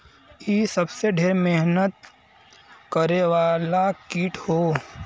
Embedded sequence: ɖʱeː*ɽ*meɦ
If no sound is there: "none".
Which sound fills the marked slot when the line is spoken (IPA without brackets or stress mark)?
ɾ